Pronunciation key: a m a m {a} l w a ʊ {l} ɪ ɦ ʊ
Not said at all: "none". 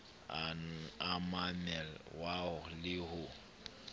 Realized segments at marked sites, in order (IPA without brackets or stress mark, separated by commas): ɛ, l